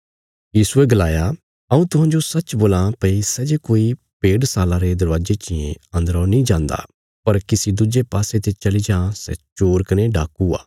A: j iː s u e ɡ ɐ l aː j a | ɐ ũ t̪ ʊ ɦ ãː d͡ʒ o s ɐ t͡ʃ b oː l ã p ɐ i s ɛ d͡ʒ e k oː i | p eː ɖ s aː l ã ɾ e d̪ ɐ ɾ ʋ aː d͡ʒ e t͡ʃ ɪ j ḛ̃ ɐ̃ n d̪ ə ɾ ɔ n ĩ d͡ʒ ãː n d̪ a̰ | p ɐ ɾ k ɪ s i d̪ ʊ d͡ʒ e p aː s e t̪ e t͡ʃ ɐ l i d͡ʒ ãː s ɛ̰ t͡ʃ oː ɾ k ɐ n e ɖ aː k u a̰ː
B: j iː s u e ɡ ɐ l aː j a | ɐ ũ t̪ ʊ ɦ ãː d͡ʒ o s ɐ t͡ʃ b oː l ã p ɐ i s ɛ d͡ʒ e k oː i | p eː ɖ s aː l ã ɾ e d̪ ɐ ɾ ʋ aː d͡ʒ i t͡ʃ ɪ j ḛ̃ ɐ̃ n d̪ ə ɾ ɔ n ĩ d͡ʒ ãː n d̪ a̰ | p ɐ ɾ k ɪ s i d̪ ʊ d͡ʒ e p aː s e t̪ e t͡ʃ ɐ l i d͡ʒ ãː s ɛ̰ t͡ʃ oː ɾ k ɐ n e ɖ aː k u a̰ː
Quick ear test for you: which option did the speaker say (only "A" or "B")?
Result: A